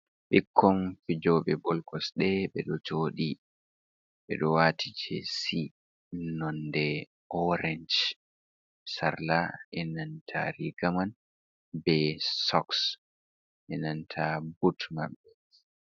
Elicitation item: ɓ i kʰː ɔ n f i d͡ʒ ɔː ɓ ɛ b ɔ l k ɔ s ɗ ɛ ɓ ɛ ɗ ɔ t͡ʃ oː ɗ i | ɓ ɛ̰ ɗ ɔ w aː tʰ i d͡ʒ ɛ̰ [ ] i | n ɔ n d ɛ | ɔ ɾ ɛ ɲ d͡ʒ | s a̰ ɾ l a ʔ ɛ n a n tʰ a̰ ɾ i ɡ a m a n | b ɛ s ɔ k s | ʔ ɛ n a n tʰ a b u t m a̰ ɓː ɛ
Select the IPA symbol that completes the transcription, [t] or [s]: s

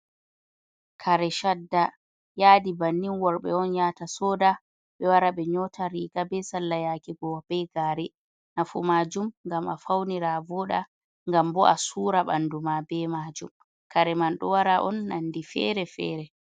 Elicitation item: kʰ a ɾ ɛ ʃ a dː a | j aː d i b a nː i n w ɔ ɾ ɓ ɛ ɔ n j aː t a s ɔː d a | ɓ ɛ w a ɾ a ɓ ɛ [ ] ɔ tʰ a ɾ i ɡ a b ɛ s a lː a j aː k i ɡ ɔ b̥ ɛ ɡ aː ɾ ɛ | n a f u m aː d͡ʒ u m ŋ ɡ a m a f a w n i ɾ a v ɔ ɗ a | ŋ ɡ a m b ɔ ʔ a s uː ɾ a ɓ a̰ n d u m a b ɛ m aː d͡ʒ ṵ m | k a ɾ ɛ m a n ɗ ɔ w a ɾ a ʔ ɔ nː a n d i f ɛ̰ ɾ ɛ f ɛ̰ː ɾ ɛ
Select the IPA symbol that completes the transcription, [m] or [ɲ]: ɲ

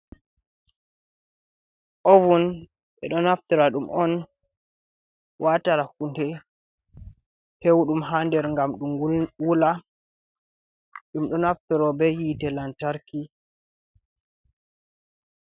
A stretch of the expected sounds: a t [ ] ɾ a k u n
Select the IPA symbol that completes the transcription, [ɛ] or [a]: a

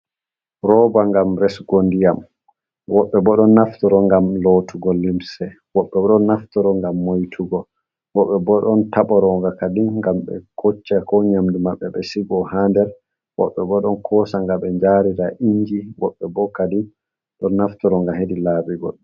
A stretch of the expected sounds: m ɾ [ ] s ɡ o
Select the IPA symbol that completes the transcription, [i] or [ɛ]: ɛ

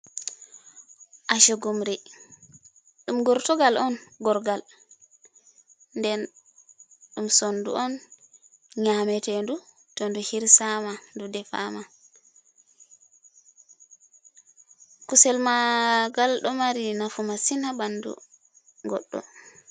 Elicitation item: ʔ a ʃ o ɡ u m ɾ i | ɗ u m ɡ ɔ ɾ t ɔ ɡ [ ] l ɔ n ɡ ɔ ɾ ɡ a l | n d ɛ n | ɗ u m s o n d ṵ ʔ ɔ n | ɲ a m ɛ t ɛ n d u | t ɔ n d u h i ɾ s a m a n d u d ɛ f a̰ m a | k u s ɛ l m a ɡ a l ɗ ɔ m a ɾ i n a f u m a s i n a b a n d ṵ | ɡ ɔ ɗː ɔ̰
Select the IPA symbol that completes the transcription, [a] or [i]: a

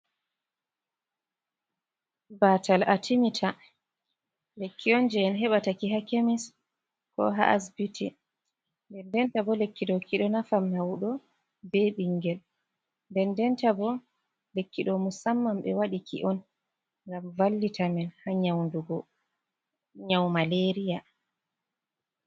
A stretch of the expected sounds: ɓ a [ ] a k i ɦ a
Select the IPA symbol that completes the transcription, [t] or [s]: t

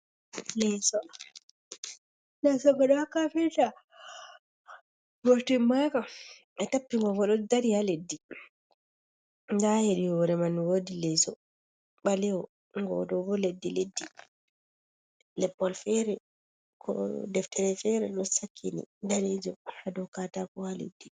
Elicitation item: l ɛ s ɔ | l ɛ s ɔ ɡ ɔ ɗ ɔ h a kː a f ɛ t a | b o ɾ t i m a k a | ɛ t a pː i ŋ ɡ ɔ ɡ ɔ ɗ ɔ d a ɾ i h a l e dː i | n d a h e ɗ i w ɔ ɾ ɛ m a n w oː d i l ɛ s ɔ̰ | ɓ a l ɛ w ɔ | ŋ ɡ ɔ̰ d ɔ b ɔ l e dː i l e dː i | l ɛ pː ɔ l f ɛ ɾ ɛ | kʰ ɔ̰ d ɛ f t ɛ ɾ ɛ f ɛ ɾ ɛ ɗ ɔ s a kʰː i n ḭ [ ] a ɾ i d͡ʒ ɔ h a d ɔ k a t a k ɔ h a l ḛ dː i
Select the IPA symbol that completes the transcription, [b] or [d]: d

